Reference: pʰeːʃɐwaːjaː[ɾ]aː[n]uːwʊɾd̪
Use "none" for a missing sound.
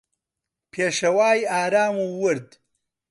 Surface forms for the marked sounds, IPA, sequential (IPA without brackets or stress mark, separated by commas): ɾ, m